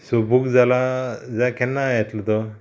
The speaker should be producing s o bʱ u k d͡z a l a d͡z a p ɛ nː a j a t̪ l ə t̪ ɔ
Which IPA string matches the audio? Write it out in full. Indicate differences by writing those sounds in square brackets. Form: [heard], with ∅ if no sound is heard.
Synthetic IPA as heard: s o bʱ u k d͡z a l a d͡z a [k] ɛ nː a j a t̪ l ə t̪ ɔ